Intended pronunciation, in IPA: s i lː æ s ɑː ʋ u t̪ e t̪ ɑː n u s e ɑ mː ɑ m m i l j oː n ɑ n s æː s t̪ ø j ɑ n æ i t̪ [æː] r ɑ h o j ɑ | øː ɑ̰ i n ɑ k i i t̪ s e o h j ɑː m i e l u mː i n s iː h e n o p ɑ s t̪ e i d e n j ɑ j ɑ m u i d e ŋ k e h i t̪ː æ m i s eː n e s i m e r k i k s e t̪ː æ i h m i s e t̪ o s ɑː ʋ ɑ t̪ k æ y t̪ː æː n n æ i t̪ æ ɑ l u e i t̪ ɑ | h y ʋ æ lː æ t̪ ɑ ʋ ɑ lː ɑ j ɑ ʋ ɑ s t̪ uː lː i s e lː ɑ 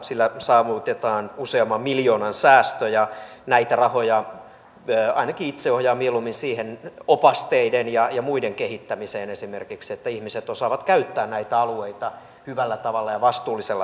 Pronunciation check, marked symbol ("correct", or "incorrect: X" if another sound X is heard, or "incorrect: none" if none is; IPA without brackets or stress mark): incorrect: æ